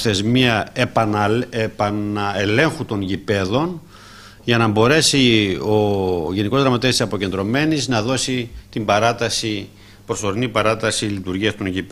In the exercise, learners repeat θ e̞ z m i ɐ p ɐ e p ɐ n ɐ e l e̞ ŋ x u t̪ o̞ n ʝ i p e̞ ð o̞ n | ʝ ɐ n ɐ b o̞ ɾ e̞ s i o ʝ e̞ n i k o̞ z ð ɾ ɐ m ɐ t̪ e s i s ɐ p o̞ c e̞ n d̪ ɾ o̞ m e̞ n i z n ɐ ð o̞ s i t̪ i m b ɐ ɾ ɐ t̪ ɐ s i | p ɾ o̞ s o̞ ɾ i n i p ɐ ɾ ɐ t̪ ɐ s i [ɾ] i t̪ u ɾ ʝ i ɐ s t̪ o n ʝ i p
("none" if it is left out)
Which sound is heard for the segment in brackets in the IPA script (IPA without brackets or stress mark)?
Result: l